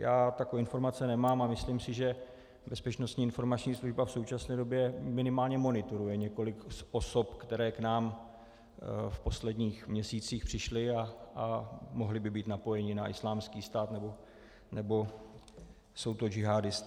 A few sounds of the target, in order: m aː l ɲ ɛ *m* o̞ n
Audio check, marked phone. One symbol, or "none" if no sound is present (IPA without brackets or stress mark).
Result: m